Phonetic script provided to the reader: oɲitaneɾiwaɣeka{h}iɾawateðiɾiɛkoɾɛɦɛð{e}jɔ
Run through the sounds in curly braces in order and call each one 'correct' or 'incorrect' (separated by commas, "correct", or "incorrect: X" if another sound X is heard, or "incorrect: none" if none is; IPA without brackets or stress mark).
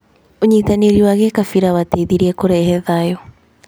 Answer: incorrect: f, incorrect: a